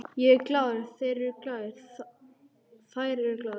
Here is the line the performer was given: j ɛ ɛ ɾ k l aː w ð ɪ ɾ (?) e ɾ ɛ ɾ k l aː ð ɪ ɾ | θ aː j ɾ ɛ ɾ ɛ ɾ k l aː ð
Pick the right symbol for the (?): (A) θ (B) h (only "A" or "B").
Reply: A